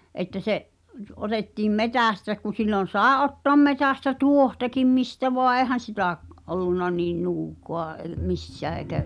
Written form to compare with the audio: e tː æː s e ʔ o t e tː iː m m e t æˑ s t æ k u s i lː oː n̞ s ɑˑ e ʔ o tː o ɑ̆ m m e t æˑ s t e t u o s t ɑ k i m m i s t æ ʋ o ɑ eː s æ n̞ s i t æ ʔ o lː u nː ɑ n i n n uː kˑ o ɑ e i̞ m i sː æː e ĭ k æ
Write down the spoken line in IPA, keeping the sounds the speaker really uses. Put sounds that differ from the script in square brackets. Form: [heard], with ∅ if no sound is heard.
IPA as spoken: e tː [æ] s e ʔ o t e tː iː m m e t æˑ s t æ k u s i lː [o] n̞ s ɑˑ e ʔ o tː o ɑ̆ m m e t æˑ s t [æ] t u o [h] t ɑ k i m m i s t æ ʋ o ɑ eː [h] æ n̞ s i t æ ʔ o lː u nː ɑ n [iː] n n uː kˑ o ɑ e i̞ m i sː æː e ĭ k æ